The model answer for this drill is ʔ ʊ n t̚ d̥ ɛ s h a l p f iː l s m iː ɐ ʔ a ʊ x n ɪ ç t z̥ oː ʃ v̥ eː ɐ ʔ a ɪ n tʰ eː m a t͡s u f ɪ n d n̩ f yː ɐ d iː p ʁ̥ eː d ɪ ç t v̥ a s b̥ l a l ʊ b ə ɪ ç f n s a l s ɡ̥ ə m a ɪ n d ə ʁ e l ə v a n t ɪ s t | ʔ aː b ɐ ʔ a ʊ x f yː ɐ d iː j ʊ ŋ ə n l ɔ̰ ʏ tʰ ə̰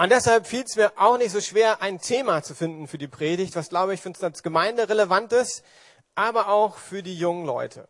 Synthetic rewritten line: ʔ ʊ n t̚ d̥ ɛ s h a l p f iː l s m iː ɐ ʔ a ʊ x n ɪ ç t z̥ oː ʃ v̥ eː ɐ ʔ a ɪ n tʰ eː m a t͡s u f ɪ n d n̩ f yː ɐ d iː p ʁ̥ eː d ɪ ç t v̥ a s ɡ̥ l a ʊ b ə ɪ ç f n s a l s ɡ̥ ə m a ɪ n d ə ʁ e l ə v a n t ɪ s t | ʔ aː b ɐ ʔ a ʊ x f yː ɐ d iː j ʊ ŋ ə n l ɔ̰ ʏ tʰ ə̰